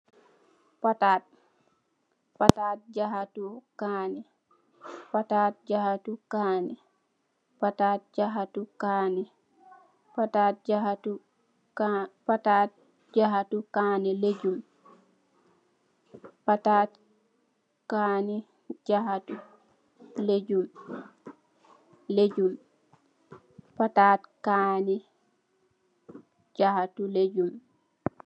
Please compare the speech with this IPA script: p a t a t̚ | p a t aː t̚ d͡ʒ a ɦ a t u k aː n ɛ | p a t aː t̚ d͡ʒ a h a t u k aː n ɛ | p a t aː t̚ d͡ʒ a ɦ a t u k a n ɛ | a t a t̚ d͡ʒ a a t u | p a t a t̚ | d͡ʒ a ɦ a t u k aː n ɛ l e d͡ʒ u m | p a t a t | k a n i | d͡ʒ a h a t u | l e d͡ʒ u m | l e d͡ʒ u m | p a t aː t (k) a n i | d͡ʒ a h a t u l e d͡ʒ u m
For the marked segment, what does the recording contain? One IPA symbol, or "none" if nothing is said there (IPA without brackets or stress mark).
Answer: k